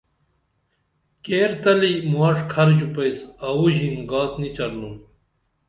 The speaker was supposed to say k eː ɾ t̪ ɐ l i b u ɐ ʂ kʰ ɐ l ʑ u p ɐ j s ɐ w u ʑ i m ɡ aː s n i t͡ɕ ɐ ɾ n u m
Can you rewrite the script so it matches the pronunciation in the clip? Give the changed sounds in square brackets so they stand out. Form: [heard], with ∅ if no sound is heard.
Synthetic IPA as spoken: k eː ɾ t̪ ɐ l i [m] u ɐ ʂ kʰ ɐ [ɾ] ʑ u p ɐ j s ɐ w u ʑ i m ɡ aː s n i t͡ɕ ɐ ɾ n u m